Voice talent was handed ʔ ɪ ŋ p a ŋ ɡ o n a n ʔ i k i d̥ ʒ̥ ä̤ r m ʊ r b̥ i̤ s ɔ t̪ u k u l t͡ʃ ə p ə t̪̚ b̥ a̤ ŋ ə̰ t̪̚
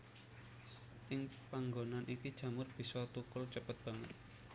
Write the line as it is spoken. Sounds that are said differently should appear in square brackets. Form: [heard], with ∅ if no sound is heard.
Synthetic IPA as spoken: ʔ ɪ ŋ p a ŋ ɡ o n a n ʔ i k i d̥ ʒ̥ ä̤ [∅] m ʊ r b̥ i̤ s ɔ t̪ u k [ʊ] l t͡ʃ ə p ə t̪̚ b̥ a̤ ŋ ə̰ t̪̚